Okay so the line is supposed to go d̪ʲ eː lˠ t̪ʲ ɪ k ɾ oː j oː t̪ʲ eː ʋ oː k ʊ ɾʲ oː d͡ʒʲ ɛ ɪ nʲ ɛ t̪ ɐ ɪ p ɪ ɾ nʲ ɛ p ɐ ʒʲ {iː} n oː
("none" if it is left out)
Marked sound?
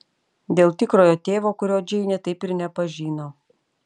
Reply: iː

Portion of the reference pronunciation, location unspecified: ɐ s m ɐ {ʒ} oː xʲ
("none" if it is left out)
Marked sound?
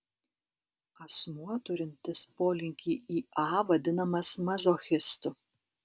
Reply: z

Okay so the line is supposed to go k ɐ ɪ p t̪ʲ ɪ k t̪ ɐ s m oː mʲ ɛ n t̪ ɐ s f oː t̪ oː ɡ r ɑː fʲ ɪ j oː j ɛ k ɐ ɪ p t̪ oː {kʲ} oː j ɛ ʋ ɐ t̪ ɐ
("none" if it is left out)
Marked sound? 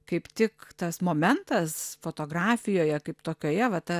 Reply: kʲ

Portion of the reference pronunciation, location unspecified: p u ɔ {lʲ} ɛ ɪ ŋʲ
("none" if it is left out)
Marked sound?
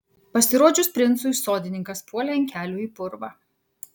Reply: lʲ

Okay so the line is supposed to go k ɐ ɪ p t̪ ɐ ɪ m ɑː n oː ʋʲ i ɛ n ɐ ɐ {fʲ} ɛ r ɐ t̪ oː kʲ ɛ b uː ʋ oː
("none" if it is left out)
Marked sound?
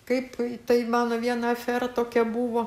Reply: fʲ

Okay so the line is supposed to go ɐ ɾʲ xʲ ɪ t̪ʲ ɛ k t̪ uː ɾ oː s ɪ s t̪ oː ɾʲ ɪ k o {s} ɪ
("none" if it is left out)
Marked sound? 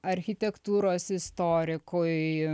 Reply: none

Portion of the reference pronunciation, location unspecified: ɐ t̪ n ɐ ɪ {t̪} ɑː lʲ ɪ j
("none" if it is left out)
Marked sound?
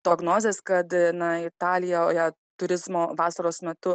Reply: t̪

